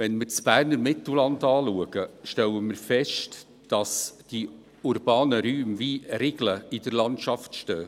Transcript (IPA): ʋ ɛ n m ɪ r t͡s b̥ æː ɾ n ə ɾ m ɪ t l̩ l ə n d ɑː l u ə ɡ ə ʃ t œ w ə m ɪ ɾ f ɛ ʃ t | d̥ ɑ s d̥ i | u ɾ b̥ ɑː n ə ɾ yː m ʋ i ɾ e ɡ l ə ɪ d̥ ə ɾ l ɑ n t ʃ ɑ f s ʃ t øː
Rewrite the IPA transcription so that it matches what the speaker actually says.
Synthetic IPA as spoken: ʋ ɛ n m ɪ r t͡s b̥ æː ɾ n ə ɾ m ɪ t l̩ l ɑ n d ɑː l u ə ɡ ə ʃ t ɛ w ə m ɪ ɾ f ɛ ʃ t | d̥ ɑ s d̥ i | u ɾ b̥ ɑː n ə ɾ yː m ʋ i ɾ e ɡ l ə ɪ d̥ ə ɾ l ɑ n t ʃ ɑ f t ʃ t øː

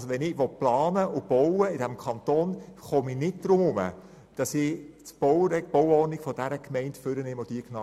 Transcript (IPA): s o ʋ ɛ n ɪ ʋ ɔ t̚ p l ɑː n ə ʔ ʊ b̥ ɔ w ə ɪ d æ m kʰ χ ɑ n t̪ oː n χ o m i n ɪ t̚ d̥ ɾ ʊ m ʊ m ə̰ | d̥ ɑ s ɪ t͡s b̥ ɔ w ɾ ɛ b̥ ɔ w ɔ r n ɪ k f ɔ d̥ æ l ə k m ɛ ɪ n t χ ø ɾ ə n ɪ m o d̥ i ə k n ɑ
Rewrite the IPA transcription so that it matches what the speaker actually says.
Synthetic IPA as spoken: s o ʋ ɛ n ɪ ʋ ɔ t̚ p l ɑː n ə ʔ ʊ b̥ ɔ w ə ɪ d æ m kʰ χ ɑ n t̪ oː n χ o m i n ɪ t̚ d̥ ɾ ʊ m ʊ m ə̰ | d̥ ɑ s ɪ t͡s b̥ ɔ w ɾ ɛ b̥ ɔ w ɔ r n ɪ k f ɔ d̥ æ ɾ ə k m ɛ ɪ n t f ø ɾ ə n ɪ m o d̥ i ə k n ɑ

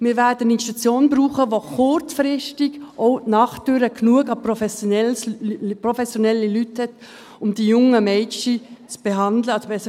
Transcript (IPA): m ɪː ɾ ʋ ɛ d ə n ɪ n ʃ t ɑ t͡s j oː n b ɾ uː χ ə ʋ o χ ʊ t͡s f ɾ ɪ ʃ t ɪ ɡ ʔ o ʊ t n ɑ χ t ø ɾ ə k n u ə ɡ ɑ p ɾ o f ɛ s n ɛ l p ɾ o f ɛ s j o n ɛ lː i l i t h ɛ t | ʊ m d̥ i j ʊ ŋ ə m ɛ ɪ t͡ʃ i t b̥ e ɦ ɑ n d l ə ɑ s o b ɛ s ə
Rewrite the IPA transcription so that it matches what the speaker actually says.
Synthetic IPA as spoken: m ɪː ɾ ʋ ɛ d ə n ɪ n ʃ t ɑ t͡s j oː n b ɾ uː χ ə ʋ o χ ʊ t͡s f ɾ ɪ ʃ t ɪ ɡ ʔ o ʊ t n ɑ χ t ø ɾ ə k n u ə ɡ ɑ p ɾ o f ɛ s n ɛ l p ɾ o f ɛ s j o n ɛ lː i l y t h ɛ t | ʊ m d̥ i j ʊ ŋ ə m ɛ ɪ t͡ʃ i t͡s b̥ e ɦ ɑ n d l ə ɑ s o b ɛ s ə

